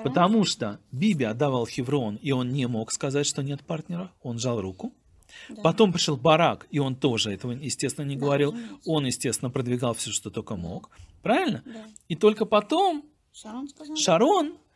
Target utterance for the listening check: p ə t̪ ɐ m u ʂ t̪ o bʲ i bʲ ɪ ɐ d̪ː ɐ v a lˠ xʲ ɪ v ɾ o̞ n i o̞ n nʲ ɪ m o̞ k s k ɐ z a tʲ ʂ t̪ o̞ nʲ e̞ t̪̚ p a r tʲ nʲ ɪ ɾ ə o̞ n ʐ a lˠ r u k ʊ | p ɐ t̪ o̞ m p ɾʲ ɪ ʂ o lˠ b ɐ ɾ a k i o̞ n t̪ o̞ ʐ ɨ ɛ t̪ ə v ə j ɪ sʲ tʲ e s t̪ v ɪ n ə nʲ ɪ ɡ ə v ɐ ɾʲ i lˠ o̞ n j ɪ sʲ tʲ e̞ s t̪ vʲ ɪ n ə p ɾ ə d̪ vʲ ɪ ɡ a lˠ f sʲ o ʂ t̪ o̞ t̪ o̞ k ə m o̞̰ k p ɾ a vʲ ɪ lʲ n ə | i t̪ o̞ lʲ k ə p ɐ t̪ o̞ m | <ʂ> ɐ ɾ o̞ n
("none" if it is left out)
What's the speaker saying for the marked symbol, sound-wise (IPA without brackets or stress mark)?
ʂ